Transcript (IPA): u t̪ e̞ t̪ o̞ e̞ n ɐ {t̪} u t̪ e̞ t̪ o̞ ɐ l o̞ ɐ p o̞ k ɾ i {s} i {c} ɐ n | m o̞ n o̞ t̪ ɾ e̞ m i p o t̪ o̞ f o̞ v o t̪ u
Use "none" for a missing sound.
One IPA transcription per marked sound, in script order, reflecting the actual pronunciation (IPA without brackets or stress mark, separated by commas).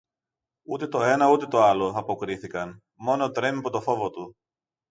none, θ, k